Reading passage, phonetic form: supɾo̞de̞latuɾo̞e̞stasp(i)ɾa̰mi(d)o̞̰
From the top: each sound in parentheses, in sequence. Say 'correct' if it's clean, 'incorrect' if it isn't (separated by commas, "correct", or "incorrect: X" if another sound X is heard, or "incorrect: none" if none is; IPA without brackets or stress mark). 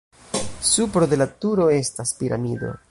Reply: correct, correct